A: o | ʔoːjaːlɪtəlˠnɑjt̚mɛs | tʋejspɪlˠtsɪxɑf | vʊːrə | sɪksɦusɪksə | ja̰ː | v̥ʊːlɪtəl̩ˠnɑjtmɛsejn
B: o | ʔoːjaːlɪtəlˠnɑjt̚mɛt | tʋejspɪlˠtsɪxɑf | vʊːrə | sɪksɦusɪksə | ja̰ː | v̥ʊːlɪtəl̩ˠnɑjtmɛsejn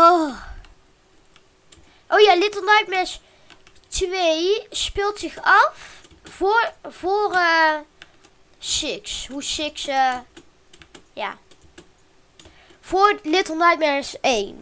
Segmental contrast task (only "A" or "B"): A